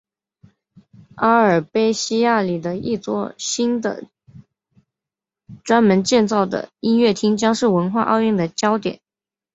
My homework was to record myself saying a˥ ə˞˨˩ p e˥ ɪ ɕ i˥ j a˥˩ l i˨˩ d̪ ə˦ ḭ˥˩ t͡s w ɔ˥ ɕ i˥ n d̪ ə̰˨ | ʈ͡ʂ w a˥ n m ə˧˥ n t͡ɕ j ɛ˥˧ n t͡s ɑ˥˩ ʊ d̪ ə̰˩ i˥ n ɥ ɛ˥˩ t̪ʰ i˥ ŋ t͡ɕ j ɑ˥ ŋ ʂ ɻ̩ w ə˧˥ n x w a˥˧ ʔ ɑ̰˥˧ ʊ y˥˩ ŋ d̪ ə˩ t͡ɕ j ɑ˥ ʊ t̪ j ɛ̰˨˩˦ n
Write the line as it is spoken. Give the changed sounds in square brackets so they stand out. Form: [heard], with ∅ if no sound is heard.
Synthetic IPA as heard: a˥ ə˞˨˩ p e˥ ɪ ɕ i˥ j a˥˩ l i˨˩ d̪ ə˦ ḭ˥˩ t͡s w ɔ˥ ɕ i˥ n d̪ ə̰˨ | ʈ͡ʂ w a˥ n m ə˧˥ n t͡ɕ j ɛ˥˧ n t͡s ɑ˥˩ ʊ d̪ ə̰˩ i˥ n ɥ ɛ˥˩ t̪ʰ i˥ ŋ t͡ɕ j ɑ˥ ŋ ʂ ɻ̩ w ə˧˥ n x w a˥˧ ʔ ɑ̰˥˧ ʊ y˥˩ ŋ d̪ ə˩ t͡ɕ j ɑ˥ ʊ t̪ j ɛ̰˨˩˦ n